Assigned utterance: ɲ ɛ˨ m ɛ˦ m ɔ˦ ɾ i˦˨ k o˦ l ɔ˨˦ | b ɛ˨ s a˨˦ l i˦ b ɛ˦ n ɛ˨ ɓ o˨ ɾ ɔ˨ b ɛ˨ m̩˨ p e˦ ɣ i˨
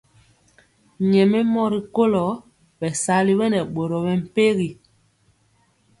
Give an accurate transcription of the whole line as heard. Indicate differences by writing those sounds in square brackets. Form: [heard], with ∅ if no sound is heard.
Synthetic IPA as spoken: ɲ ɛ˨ m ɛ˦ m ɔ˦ ɾ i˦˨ k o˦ l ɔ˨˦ | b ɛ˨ s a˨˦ l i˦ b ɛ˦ n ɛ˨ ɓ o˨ ɾ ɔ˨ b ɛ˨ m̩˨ p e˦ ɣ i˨